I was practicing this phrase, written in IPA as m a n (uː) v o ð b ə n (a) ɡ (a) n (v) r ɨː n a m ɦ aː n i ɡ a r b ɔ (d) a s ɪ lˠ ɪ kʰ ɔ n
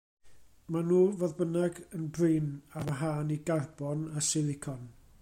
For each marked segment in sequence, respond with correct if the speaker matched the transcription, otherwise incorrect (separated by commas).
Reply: correct, correct, incorrect, incorrect, incorrect